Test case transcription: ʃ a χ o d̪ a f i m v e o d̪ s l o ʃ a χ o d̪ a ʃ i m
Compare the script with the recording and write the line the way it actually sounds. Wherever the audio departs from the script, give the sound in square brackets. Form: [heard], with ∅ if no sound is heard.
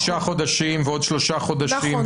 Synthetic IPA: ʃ a χ o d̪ a [ʃ] i m v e o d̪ [ʃ] l o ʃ a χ o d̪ a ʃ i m